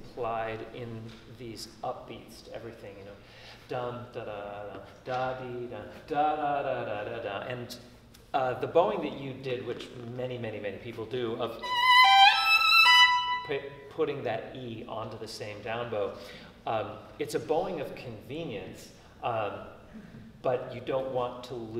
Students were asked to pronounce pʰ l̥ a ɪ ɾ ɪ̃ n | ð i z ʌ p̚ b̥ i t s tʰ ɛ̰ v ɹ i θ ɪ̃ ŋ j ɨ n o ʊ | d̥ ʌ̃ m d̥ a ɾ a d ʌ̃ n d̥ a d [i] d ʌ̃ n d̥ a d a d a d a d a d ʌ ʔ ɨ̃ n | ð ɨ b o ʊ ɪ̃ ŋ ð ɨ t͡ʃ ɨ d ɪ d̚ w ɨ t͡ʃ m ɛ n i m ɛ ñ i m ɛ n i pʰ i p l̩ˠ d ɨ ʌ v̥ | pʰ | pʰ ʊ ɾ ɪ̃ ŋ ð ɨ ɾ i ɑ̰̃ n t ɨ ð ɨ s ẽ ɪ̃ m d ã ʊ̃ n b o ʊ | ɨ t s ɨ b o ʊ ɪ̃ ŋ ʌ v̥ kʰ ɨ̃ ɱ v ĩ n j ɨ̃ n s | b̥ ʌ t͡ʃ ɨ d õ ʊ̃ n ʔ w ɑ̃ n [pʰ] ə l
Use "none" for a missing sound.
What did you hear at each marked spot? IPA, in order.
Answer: i, tʰ

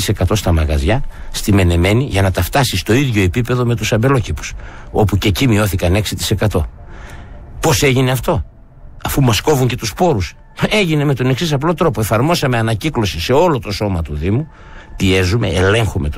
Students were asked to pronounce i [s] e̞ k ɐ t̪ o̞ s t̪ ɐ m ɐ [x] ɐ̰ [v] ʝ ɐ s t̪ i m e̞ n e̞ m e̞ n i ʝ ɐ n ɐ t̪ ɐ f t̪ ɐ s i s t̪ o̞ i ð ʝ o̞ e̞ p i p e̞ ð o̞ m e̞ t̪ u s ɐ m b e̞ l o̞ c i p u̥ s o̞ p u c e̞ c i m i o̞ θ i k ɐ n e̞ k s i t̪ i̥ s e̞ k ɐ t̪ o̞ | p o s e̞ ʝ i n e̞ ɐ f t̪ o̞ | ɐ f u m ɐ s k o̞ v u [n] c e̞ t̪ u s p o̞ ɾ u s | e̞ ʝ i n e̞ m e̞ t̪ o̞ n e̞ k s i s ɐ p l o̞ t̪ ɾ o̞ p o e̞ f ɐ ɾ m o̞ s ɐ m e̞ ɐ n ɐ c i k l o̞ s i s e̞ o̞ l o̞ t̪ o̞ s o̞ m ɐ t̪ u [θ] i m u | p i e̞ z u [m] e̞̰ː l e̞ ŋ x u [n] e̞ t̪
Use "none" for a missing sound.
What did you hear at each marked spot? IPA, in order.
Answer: s, ɣ, z, ɲ, ð, m, m

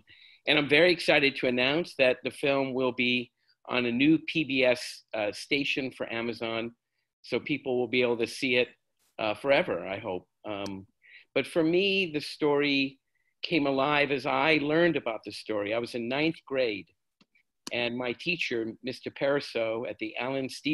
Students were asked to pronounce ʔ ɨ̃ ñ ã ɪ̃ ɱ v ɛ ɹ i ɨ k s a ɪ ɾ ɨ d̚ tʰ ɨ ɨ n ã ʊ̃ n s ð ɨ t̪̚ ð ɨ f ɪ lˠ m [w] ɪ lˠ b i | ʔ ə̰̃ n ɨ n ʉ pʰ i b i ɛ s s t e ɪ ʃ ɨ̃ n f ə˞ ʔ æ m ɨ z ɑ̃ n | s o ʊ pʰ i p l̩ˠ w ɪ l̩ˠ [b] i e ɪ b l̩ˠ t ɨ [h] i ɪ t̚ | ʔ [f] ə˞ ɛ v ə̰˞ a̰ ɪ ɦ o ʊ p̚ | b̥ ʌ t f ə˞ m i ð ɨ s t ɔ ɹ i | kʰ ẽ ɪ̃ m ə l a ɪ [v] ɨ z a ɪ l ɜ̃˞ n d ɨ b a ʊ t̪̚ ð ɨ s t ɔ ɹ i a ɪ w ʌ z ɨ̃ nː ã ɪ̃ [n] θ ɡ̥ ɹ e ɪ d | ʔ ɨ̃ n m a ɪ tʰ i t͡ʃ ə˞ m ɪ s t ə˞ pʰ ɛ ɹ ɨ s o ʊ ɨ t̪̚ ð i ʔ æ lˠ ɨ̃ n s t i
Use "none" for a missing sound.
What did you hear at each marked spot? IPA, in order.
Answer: w, b, s, f, v, n

